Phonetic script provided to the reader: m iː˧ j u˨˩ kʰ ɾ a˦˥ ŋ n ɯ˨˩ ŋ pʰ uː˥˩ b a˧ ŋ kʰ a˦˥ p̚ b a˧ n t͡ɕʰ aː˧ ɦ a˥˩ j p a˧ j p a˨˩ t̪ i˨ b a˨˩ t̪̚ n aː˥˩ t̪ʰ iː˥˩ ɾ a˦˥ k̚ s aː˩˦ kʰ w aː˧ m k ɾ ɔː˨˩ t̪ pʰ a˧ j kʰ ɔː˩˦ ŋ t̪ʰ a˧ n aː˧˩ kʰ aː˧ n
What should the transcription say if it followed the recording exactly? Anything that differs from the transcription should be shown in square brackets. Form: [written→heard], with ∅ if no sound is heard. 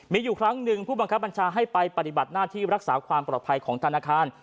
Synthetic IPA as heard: m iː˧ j [u˨˩→uː˨˩] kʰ ɾ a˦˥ ŋ n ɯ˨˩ ŋ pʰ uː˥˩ b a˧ ŋ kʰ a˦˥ p̚ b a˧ n t͡ɕʰ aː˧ ɦ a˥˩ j p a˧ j p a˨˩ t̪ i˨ b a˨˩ t̪̚ n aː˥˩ t̪ʰ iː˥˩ ɾ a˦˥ k̚ s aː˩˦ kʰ w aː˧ m [k→p] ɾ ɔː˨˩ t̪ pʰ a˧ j kʰ ɔː˩˦ ŋ t̪ʰ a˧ n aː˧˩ kʰ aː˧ n